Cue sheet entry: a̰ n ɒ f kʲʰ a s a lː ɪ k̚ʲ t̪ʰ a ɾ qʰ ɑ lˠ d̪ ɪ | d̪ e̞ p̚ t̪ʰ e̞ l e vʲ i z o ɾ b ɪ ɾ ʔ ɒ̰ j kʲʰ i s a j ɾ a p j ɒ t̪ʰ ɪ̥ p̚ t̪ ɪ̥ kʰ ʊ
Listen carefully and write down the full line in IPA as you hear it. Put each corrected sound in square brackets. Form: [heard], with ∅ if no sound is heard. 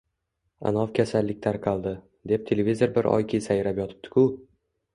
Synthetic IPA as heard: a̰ n ɒ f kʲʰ a s a lː ɪ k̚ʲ t̪ʰ a ɾ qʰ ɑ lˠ d̪ ɪ | d̪ e̞ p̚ t̪ʰ e̞ l e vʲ i z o ɾ b ɪ ɾ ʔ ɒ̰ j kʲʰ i s a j ɾ a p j ɒ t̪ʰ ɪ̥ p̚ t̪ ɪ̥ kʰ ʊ